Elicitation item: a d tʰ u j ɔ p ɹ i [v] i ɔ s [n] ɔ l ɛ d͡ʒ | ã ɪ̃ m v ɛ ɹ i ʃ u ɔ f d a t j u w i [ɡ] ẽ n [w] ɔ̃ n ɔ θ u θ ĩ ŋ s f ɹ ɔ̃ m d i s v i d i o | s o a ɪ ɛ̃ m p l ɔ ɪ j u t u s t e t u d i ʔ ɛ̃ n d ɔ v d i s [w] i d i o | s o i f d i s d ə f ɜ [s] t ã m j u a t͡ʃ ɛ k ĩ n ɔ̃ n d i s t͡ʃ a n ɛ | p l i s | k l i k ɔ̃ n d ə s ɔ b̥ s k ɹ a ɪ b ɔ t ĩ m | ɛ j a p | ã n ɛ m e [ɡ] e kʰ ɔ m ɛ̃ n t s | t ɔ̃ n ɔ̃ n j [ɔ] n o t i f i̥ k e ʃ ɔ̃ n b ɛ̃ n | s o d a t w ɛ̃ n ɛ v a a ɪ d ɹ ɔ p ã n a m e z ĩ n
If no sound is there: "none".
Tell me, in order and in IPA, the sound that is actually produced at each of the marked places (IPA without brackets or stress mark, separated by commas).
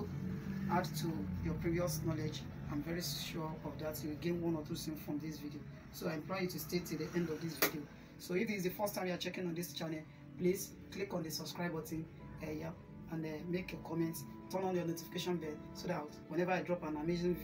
v, n, ɡ, w, v, s, k, ɔ